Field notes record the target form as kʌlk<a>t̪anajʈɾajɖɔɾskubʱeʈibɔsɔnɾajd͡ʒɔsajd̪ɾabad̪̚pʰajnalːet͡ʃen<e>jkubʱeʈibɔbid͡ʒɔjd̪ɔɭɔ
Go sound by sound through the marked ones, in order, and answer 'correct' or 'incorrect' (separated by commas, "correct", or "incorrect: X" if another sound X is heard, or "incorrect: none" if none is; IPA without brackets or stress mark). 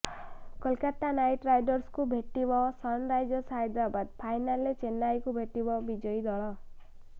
correct, incorrect: a